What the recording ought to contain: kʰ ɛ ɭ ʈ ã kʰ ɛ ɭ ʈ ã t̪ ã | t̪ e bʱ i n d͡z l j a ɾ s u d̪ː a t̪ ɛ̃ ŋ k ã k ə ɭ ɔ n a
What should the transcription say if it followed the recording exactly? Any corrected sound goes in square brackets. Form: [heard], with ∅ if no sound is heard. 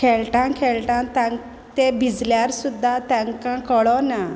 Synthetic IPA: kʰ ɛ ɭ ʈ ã kʰ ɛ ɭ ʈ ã t̪ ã | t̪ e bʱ i [∅] d͡z l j a ɾ s u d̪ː a t̪ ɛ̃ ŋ k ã k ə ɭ ɔ n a